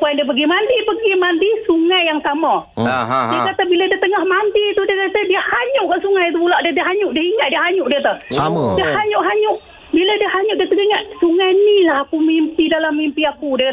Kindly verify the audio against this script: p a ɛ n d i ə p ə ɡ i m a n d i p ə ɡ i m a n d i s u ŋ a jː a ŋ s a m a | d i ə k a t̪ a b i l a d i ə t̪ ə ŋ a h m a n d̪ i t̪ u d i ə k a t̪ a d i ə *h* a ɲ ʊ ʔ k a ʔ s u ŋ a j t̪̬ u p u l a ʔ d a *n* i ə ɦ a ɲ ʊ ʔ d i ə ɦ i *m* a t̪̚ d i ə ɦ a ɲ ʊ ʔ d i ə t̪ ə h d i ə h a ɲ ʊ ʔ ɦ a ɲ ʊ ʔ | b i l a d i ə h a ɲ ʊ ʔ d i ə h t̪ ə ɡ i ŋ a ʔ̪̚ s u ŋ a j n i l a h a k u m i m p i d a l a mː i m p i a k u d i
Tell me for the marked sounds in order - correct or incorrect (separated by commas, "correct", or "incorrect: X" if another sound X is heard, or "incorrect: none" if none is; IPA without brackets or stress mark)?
correct, incorrect: d, incorrect: ŋ